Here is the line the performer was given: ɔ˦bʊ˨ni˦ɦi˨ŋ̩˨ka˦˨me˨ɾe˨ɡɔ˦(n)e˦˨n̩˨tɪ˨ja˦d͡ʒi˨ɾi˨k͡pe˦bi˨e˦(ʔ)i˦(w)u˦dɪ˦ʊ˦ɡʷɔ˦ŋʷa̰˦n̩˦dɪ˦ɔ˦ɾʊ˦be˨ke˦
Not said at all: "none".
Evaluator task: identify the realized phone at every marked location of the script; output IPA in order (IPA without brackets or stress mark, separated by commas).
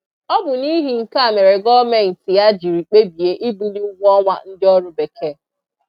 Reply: m, ʔ, b